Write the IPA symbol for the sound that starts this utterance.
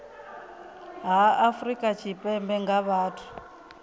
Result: ɦ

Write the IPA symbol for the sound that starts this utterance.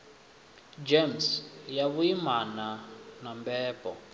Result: d͡ʒ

